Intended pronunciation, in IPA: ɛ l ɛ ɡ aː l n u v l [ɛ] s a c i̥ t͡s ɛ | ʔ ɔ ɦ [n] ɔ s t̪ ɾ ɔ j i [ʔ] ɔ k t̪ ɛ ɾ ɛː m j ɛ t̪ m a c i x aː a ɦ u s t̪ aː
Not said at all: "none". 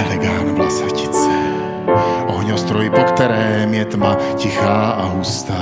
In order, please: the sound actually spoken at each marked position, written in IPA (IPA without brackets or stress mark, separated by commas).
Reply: a, ɲ, p